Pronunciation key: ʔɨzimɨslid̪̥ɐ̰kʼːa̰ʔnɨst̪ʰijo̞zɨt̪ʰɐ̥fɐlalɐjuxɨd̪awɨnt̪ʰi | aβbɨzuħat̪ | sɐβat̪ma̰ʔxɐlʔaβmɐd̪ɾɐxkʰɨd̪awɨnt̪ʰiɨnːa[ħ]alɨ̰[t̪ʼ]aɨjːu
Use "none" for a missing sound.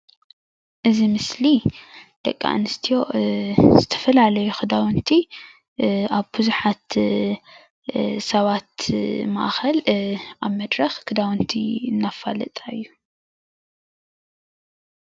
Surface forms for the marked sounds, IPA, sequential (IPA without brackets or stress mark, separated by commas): f, t̪ʼ